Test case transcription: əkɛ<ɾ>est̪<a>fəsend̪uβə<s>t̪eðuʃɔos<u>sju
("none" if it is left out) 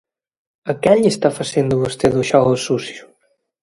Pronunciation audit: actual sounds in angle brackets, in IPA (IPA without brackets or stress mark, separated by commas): ʎ, a, s, u